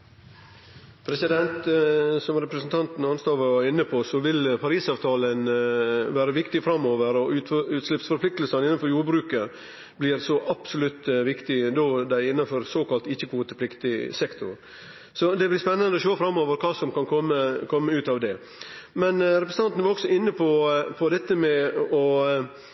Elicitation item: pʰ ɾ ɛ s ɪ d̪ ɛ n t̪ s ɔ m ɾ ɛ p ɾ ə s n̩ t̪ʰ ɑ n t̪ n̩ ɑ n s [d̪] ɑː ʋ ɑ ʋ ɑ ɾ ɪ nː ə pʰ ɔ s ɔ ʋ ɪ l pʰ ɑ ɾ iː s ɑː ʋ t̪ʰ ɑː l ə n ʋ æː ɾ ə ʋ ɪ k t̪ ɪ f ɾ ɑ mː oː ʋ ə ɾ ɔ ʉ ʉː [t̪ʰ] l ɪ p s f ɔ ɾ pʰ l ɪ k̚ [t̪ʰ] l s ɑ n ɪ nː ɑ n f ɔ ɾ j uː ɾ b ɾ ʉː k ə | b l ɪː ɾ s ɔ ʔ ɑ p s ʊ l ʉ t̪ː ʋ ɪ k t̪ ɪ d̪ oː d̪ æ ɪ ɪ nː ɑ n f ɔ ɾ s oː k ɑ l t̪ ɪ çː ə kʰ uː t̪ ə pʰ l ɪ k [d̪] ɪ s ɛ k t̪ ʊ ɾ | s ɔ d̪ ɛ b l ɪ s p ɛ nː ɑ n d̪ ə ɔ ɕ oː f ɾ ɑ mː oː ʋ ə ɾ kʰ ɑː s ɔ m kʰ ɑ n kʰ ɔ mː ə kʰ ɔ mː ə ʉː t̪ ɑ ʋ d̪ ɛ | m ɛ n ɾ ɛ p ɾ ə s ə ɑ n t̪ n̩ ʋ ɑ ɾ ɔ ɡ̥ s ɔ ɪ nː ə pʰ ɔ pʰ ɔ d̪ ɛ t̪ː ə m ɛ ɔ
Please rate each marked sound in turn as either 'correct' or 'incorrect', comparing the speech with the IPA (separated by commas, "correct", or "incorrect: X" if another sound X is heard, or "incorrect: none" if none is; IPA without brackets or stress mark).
incorrect: t̪, incorrect: t̪, incorrect: t̪, incorrect: t̪